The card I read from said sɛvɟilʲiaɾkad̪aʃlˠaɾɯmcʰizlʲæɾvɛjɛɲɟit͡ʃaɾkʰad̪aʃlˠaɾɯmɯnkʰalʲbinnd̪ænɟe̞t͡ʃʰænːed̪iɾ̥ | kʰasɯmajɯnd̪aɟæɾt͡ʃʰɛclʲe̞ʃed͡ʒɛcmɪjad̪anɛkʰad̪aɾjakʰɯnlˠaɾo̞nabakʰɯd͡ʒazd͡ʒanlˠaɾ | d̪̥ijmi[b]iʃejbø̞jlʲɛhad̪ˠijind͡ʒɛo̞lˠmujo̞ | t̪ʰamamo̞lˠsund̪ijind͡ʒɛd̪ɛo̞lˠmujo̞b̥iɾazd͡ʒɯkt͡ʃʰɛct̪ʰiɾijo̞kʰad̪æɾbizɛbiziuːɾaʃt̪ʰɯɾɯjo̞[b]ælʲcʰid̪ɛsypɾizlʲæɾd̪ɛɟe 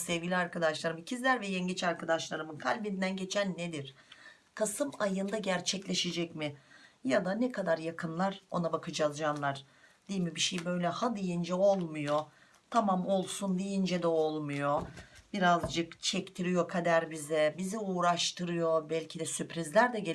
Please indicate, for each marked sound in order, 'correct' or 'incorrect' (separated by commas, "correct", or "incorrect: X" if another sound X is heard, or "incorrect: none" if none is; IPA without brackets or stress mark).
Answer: correct, correct